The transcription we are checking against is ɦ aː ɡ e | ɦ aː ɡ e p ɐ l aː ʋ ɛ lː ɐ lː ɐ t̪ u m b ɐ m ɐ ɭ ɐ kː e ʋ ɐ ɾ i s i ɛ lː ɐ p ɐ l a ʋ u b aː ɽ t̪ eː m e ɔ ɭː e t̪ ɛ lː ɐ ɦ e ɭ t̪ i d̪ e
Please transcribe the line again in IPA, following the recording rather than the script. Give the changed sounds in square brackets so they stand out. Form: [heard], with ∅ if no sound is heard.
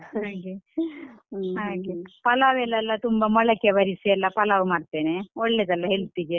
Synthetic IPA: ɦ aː ɡ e | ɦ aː ɡ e p ɐ l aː ʋ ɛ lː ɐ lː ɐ t̪ u m b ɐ m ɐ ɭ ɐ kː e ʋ ɐ ɾ i s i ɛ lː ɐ p ɐ l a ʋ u [m] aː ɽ t̪ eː [n] e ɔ ɭː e [d̪] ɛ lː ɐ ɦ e ɭ t̪ i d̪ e